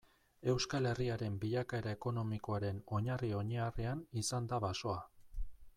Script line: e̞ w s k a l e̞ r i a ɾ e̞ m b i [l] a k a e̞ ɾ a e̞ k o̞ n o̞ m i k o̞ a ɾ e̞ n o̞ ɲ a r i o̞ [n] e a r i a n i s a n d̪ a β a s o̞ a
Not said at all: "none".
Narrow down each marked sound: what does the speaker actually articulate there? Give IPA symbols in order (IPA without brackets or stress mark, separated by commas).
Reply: ʎ, ɲ